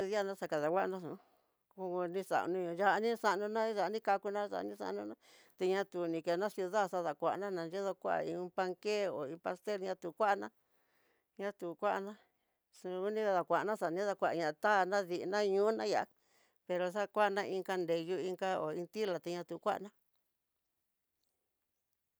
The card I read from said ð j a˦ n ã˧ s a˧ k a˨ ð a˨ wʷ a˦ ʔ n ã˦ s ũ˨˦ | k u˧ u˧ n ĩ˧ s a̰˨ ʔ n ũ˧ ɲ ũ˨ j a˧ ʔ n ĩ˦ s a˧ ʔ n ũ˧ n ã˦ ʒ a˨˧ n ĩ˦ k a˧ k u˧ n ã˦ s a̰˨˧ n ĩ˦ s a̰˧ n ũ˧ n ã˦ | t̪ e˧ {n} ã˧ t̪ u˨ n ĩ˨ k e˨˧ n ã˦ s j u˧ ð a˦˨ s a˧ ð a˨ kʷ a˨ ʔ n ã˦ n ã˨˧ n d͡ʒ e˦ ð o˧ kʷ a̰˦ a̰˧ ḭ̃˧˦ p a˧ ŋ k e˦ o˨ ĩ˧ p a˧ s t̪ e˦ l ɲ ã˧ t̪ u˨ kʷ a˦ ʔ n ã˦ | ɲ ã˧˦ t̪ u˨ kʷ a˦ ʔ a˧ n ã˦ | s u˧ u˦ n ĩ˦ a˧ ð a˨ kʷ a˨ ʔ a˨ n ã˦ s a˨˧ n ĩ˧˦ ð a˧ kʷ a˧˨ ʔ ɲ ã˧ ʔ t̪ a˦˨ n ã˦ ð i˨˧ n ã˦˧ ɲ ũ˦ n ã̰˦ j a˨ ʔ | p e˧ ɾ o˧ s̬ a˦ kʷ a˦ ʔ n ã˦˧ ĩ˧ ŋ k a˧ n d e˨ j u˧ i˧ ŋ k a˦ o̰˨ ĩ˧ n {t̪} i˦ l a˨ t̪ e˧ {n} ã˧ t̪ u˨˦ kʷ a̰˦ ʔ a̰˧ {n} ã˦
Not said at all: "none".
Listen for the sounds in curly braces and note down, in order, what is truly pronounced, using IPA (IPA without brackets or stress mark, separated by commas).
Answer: ɲ, t̪, ɲ, n